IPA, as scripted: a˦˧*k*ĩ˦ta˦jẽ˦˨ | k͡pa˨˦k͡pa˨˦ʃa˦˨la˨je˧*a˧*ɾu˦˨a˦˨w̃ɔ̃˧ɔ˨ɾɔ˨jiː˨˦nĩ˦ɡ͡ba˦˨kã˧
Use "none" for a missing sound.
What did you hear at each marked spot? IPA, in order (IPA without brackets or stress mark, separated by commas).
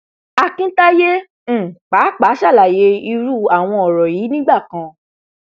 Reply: k, i˧